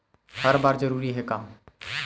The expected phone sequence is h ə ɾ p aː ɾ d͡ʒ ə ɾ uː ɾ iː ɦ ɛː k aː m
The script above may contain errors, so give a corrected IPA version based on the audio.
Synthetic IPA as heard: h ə ɾ b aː ɾ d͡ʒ ə ɾ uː ɾ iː ɦ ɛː k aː m